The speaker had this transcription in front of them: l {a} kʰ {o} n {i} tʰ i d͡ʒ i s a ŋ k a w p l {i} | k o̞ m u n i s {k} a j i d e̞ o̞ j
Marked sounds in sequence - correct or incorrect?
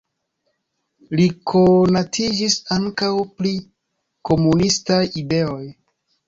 incorrect: i, correct, incorrect: a, correct, incorrect: t

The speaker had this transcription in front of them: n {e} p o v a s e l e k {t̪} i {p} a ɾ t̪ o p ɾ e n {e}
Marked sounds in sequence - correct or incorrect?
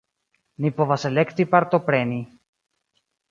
incorrect: i, correct, correct, incorrect: i

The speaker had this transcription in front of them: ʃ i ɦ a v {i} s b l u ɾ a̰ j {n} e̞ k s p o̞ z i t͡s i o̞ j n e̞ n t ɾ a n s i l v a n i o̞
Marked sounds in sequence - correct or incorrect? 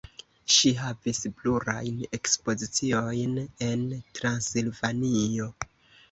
correct, correct

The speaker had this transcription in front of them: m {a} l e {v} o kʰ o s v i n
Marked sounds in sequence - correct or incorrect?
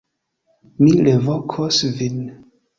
incorrect: i, correct

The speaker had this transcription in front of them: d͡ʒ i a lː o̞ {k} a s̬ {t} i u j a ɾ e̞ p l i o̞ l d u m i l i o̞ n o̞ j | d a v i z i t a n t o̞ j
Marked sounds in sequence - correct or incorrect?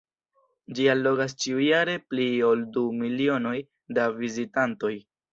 incorrect: ɡ, incorrect: t͡ʃ

